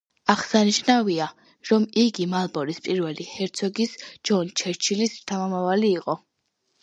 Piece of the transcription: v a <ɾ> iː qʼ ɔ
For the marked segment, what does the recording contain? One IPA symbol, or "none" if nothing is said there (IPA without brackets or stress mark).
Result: l